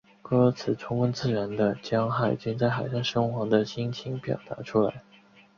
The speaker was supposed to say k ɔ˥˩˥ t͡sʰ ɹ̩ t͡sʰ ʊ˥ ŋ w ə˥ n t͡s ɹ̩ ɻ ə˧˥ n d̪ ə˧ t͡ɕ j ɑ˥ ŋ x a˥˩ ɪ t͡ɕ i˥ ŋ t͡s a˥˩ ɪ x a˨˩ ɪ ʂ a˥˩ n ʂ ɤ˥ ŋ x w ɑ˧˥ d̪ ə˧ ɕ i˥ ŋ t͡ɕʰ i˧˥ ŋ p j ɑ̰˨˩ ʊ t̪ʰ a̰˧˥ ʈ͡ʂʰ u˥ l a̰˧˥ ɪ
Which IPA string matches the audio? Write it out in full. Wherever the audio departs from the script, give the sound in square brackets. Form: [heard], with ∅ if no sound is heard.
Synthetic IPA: k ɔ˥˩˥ t͡sʰ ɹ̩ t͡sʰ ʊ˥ ŋ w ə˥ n t͡s ɹ̩ ɻ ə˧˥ n d̪ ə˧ t͡ɕ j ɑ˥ ŋ x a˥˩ ɪ t͡ɕ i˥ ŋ t͡s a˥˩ ɪ x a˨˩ ɪ ʂ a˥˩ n ʂ ɤ˥ ŋ x w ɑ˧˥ d̪ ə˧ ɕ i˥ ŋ t͡ɕʰ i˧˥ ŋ p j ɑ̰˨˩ ʊ [t̪] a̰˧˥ ʈ͡ʂʰ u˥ l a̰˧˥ ɪ